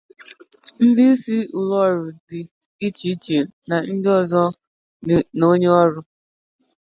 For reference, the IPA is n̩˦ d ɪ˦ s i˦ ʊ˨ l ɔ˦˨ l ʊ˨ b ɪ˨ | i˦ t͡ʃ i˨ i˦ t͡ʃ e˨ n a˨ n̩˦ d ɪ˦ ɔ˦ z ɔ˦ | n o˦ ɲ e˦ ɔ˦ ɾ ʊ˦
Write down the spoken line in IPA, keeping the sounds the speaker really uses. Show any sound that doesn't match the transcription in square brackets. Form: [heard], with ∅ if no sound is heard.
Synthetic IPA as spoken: n̩˦ d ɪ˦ s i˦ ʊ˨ l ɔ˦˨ [ɾ] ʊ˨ [d] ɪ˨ | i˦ t͡ʃ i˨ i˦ t͡ʃ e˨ n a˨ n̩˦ d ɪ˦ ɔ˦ z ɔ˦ | n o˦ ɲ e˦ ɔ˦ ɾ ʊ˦